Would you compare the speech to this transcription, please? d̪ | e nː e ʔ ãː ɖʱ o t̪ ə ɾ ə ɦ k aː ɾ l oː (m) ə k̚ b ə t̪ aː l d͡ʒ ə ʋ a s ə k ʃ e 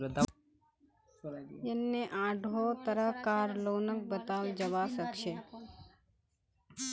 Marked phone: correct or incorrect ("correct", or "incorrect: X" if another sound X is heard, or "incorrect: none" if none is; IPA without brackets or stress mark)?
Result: incorrect: n